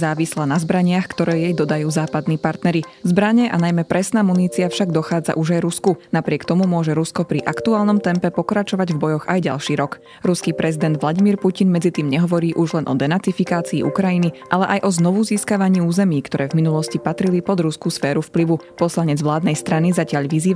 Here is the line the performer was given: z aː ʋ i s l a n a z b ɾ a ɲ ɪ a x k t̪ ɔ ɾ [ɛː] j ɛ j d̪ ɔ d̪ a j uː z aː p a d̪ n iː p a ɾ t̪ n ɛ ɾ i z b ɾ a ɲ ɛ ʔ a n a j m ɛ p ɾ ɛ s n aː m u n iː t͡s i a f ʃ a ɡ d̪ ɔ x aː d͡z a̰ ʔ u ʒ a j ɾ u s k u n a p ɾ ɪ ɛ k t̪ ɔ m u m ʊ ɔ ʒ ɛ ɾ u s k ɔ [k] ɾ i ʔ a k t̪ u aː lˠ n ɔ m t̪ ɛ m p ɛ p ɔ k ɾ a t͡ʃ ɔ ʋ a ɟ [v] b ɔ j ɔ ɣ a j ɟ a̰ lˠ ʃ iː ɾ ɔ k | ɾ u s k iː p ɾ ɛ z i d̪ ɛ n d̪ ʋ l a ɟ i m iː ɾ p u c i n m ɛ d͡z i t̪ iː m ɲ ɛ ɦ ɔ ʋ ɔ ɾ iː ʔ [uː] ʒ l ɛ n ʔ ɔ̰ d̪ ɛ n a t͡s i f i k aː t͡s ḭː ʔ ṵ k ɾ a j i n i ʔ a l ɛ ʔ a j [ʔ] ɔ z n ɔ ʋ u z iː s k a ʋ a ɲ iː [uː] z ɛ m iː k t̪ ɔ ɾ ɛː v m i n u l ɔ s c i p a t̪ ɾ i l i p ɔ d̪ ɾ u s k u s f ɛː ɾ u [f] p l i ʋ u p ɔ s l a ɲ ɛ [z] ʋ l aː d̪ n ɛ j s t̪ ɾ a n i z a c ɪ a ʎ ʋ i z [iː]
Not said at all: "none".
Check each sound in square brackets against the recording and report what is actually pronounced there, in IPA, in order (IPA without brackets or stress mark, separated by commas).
ɛː, p, v, u, ʔ, uː, f, d͡z, iː